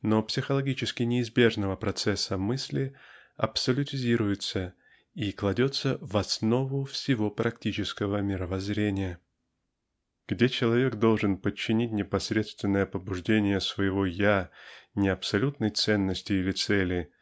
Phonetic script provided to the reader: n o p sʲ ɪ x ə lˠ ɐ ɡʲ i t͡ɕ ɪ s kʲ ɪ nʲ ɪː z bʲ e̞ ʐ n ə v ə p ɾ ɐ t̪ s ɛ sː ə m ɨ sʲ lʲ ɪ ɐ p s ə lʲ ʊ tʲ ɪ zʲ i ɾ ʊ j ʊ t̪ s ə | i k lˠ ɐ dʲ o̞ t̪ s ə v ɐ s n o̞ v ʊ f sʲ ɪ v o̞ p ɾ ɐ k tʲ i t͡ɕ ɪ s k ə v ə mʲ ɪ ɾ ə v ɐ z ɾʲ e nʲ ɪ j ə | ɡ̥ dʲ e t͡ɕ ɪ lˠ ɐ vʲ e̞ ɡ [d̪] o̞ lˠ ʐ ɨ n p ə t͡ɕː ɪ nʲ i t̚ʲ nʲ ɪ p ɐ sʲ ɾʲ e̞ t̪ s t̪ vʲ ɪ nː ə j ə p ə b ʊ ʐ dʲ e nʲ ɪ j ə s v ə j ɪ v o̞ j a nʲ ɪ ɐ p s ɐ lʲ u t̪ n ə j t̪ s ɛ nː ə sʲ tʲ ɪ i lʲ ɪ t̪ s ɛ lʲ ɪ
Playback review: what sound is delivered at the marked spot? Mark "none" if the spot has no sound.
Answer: d̪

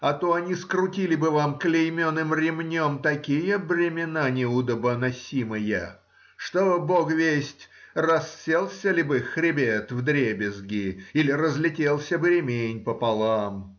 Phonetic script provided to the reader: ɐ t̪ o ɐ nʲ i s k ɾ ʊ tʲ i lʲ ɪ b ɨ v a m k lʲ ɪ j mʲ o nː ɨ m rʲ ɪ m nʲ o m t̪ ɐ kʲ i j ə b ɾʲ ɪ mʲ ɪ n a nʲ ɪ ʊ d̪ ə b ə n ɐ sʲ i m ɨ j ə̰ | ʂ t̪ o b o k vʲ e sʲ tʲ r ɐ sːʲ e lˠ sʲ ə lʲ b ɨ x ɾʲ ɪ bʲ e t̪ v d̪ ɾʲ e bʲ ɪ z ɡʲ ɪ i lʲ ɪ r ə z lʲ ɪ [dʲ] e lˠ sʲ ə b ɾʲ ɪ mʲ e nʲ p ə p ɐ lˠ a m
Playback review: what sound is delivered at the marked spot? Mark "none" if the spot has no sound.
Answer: tʲ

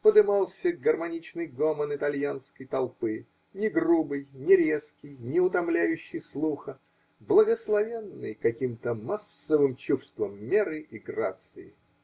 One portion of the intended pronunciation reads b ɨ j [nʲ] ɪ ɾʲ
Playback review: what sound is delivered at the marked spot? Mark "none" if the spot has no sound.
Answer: nʲ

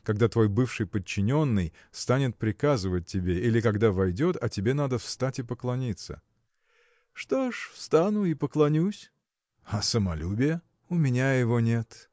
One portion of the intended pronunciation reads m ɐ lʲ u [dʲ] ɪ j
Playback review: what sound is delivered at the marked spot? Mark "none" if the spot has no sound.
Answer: bʲ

